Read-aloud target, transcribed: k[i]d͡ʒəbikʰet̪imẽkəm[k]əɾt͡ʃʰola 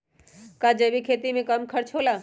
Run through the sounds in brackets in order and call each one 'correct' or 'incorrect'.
incorrect, incorrect

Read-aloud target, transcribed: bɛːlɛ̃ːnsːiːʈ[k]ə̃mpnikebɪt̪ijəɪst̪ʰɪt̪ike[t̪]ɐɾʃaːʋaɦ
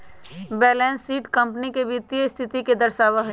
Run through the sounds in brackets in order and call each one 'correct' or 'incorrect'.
correct, incorrect

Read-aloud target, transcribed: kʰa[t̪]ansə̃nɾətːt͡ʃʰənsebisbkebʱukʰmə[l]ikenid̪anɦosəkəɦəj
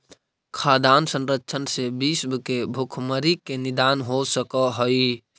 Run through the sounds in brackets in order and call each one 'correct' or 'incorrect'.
incorrect, incorrect

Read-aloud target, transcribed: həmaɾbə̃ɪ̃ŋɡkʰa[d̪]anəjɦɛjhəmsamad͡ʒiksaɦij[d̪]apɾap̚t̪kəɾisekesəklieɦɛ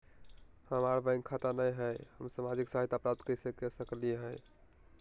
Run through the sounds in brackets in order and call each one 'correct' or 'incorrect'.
incorrect, incorrect

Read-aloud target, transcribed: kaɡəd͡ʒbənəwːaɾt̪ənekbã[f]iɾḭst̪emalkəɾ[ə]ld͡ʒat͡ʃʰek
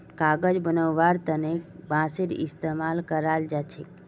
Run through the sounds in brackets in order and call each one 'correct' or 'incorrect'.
incorrect, incorrect

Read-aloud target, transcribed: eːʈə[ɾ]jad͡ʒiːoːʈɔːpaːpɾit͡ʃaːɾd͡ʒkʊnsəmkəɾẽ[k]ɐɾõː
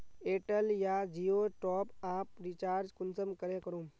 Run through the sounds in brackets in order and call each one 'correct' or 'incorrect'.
incorrect, correct

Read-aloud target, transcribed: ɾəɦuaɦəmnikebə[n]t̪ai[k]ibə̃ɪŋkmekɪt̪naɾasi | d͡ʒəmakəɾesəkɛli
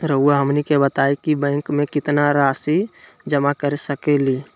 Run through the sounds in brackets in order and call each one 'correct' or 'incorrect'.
incorrect, correct

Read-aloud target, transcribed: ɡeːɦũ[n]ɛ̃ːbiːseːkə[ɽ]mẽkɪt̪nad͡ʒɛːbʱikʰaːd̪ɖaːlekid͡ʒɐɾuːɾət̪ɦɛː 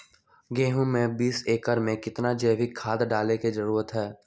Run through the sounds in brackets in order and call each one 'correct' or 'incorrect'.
incorrect, incorrect

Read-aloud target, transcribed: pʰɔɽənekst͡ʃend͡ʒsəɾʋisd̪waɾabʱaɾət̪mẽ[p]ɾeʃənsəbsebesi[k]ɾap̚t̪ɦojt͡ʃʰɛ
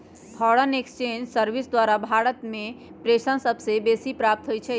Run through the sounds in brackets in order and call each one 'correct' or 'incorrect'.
correct, incorrect

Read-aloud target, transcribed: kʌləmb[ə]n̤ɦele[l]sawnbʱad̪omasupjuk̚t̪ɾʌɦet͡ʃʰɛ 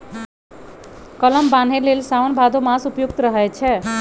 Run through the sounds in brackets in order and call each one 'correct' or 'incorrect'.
incorrect, correct

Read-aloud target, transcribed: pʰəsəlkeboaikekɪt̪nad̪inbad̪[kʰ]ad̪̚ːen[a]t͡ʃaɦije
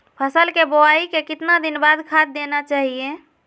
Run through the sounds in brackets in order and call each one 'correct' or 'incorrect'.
correct, correct

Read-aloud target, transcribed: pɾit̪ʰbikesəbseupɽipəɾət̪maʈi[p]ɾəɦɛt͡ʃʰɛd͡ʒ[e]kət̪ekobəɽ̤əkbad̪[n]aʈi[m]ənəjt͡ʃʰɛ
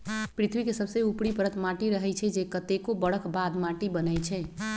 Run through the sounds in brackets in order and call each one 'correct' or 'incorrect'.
incorrect, correct, incorrect, incorrect

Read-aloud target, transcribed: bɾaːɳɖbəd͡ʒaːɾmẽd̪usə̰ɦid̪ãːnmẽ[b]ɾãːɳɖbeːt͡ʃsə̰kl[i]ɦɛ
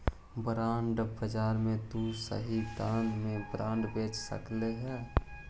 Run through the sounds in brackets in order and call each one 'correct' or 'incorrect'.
correct, incorrect

